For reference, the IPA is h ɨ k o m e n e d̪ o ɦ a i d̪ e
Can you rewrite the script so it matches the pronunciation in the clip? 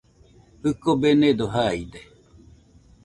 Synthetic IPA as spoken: h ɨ k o b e n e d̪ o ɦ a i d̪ e